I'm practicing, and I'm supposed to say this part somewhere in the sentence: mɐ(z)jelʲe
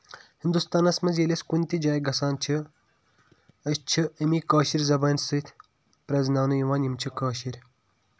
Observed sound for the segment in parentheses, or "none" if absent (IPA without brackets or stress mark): z